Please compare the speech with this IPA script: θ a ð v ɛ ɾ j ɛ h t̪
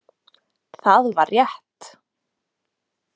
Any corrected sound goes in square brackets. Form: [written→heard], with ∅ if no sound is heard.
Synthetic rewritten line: θ a ð v [ɛ→a] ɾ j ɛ h t̪